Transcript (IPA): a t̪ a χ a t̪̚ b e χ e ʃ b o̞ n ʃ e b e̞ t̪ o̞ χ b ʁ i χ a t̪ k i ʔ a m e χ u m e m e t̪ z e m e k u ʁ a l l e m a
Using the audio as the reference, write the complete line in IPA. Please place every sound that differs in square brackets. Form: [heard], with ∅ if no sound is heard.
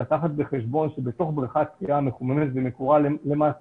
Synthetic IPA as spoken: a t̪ a χ a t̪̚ b e χ e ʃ b o̞ n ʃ e b e̞ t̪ o̞ χ b ʁ i χ a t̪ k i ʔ a m e χ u m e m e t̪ [v] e m e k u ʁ a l l e m a